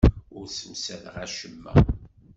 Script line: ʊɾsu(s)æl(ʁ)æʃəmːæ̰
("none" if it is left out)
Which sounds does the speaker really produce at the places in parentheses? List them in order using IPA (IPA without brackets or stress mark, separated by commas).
s, ʁ